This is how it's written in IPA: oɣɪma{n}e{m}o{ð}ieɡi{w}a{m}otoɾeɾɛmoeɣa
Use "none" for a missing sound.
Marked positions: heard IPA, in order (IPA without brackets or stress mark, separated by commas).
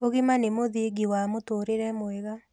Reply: n, m, ð, w, m